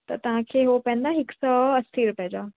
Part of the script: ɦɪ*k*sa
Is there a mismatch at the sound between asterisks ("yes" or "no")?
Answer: no